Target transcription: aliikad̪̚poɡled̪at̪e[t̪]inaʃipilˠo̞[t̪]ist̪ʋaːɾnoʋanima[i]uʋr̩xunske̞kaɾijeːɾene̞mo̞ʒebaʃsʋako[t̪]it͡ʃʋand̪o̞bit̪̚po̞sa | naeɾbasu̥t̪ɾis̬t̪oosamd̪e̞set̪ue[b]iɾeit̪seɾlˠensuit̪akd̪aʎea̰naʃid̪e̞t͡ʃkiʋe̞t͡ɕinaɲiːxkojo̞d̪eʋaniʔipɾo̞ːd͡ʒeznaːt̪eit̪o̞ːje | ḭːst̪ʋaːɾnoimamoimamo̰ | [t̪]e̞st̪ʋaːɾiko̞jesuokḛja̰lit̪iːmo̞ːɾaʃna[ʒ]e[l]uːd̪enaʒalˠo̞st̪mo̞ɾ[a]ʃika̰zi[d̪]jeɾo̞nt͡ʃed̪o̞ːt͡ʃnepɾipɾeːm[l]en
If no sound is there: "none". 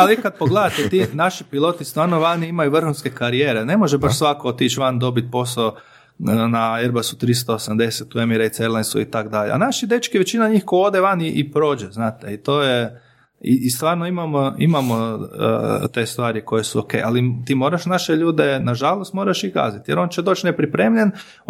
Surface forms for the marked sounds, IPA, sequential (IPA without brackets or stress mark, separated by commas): t̪, t̪, j, t̪, m, t̪, ʃ, ʎ, a, t̪, ʎ